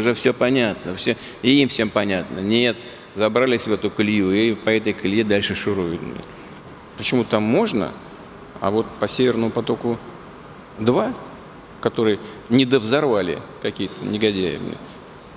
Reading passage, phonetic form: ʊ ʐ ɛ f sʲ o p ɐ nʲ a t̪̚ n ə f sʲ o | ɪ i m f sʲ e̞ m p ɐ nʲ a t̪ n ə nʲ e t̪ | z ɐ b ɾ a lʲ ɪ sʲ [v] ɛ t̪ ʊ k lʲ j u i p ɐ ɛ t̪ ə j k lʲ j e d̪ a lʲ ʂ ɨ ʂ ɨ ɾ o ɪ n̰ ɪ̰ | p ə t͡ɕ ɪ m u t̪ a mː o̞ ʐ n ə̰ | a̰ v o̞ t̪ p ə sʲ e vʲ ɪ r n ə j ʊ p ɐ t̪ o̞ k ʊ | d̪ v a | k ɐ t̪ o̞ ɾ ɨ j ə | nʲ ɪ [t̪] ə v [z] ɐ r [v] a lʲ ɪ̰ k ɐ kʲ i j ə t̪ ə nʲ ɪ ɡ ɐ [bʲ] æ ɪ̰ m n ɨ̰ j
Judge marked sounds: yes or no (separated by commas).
yes, no, yes, yes, no